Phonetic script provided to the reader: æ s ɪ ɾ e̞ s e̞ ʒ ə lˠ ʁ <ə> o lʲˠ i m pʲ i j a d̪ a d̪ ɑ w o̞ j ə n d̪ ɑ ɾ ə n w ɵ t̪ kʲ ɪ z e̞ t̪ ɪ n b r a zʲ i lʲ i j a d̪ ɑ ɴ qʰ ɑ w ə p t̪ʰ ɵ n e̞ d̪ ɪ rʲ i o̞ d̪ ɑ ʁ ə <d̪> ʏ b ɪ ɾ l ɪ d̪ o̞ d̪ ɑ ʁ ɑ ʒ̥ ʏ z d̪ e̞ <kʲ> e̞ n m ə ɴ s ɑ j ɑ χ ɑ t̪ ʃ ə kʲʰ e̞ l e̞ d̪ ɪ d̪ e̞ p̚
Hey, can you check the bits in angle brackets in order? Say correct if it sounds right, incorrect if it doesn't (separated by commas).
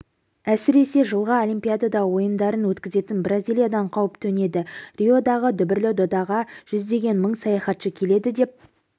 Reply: incorrect, correct, incorrect